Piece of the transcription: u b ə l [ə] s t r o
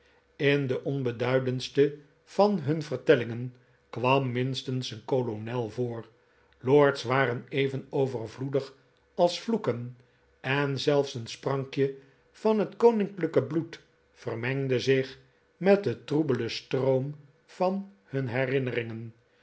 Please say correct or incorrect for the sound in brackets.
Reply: correct